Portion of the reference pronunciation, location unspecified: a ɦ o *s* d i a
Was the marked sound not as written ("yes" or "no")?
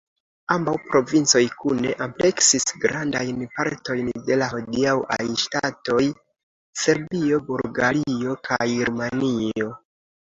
yes